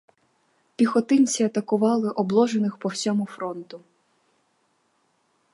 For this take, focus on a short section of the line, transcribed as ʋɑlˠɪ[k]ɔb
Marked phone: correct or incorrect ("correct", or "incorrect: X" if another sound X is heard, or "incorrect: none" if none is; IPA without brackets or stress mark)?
incorrect: ʔ